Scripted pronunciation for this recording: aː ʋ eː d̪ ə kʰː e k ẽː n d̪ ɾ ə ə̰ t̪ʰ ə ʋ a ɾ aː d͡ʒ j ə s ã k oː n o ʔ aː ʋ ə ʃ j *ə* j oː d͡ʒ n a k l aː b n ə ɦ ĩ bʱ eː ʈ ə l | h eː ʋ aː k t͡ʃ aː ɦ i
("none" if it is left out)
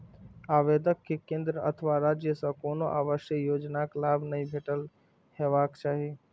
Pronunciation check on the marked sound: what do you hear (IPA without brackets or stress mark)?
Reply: ə